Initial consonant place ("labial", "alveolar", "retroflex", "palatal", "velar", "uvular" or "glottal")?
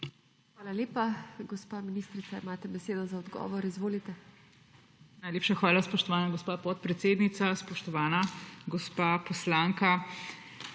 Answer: velar